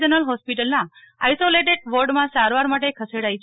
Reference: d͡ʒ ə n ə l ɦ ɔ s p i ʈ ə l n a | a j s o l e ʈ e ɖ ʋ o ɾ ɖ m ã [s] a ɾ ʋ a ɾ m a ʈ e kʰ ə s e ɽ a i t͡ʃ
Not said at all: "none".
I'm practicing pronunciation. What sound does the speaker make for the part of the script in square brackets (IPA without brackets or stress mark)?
s